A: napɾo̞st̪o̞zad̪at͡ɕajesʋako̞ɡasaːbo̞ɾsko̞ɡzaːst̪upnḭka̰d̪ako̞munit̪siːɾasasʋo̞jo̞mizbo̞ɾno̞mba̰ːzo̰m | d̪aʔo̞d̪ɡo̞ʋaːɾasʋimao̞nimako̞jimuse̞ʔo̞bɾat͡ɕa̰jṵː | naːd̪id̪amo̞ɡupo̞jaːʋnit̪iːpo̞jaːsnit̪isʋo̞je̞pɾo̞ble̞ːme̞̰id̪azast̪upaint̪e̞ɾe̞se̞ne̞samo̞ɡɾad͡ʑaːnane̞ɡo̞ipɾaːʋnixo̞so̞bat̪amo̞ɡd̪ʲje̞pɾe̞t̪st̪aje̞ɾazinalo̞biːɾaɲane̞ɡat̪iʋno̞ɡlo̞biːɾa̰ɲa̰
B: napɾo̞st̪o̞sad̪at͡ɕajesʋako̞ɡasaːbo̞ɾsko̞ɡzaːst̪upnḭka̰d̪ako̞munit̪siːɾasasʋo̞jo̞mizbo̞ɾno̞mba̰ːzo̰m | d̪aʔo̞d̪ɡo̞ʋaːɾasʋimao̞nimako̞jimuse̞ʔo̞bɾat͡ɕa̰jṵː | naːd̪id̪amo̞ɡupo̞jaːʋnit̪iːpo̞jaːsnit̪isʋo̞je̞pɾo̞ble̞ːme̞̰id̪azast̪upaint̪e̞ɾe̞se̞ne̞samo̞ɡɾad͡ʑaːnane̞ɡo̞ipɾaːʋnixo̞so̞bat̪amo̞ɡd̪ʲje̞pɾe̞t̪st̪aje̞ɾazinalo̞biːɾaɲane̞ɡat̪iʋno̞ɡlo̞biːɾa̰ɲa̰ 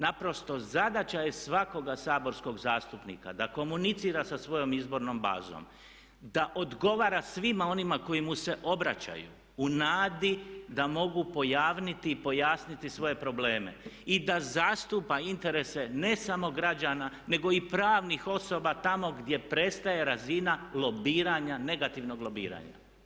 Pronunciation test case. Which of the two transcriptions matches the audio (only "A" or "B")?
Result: A